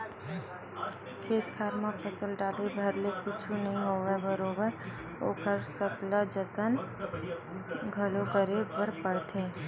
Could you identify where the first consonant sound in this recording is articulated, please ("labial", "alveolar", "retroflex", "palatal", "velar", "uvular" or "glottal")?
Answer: velar